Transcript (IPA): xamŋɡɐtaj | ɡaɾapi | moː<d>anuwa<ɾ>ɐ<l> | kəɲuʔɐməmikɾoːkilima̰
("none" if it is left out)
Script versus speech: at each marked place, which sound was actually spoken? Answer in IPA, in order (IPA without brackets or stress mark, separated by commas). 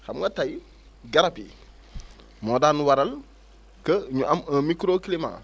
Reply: d, ɾ, l